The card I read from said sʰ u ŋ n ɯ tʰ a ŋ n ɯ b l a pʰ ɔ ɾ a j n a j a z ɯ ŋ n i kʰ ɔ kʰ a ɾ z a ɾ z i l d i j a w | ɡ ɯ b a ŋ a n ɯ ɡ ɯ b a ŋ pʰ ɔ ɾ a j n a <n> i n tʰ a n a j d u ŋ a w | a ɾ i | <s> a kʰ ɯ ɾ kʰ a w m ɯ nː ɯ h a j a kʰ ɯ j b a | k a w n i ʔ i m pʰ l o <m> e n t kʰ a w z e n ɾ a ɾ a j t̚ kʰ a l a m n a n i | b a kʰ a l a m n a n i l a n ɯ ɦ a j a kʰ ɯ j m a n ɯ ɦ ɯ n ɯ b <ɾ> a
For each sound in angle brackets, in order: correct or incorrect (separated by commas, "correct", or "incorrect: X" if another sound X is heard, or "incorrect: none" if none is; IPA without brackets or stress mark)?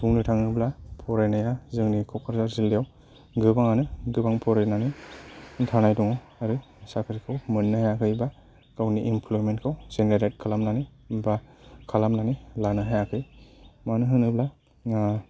correct, correct, correct, incorrect: l